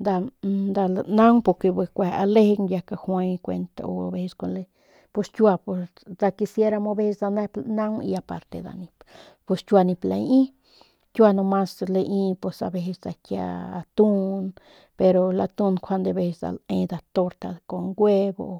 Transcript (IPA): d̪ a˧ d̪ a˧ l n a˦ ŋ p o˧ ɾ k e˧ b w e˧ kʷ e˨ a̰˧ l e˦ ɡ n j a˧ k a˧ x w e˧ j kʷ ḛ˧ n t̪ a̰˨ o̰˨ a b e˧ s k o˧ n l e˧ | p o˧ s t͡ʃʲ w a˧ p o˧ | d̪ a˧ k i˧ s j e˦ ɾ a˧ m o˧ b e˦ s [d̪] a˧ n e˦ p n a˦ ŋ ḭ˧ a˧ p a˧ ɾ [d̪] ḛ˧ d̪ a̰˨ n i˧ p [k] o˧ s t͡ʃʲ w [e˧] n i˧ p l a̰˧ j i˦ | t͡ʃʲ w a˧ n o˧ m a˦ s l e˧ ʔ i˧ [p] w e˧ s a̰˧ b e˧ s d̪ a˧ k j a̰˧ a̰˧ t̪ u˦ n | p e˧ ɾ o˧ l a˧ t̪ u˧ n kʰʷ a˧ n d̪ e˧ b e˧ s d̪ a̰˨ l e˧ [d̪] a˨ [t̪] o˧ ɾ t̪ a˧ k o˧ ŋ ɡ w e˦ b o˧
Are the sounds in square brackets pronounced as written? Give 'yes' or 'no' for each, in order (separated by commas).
yes, no, no, no, yes, yes, yes